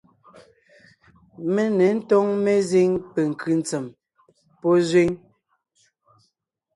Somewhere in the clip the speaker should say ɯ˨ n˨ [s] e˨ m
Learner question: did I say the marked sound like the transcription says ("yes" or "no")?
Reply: no